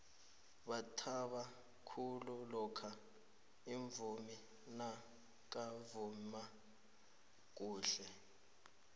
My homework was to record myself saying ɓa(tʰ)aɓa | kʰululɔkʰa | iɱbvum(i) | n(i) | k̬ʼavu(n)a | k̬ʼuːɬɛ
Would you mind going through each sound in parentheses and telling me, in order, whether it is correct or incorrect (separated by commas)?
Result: correct, correct, incorrect, incorrect